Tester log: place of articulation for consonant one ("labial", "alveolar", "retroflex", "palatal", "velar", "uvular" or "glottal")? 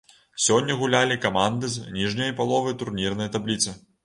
alveolar